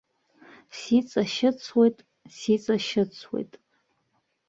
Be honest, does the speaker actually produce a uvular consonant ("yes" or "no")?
no